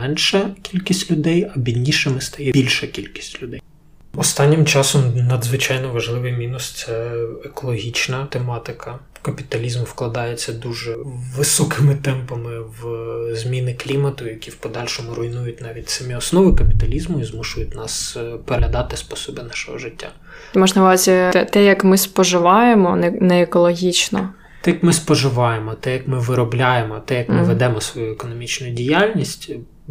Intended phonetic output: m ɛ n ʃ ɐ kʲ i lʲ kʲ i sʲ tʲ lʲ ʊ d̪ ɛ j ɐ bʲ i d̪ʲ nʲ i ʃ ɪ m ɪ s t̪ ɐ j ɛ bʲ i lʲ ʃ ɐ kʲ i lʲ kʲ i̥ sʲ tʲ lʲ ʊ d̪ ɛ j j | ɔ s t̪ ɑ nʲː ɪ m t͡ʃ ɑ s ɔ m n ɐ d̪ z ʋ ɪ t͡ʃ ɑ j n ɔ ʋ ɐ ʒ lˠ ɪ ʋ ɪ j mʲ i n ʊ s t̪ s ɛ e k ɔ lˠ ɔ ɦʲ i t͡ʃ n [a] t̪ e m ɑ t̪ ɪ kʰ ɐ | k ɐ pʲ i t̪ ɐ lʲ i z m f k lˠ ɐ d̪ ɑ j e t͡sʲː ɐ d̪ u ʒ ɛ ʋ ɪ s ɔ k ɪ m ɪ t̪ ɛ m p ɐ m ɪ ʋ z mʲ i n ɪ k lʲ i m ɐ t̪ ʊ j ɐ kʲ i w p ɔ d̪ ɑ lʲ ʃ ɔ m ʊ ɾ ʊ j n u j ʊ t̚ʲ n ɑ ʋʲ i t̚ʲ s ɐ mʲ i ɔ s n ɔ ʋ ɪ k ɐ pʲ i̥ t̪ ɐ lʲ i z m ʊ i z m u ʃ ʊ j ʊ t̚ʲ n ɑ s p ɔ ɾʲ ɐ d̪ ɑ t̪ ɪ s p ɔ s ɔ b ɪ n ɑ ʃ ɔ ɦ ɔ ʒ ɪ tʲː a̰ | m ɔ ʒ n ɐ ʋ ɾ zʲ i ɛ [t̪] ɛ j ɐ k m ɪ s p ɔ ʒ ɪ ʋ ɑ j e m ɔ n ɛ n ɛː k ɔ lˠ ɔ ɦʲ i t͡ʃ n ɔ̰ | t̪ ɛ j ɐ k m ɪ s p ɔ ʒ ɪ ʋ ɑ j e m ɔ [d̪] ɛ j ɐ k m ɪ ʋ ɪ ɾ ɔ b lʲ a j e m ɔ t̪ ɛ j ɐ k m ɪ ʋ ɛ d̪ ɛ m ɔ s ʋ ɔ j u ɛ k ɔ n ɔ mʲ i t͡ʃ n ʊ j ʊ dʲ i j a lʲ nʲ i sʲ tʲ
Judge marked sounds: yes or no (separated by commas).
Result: no, yes, no